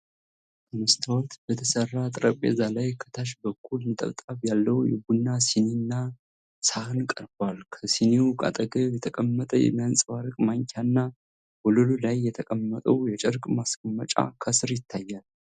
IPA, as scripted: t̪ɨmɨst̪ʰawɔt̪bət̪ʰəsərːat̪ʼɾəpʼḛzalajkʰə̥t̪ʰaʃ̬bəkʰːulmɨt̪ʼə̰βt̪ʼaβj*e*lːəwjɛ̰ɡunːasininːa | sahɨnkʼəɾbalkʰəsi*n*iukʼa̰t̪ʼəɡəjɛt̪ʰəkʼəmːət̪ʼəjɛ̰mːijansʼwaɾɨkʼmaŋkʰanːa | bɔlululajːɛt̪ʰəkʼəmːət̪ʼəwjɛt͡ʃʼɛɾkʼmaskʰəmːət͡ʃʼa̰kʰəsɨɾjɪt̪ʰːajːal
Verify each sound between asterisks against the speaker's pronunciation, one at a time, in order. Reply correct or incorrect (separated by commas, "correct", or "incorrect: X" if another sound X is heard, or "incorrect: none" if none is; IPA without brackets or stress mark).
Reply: incorrect: a, correct